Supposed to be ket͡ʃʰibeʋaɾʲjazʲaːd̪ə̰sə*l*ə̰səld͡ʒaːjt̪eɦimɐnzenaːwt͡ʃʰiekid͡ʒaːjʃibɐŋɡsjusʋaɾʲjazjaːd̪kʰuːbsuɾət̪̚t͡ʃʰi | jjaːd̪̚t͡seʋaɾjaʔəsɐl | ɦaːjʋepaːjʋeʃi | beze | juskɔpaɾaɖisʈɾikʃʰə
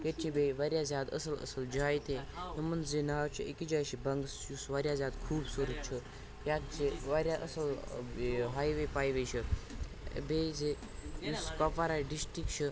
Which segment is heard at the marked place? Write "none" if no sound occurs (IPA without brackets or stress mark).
l